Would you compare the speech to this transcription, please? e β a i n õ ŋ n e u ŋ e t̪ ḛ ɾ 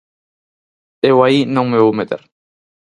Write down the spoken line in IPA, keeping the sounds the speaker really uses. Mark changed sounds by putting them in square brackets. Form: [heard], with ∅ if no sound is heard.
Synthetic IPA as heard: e [w] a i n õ ŋ [m] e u [m] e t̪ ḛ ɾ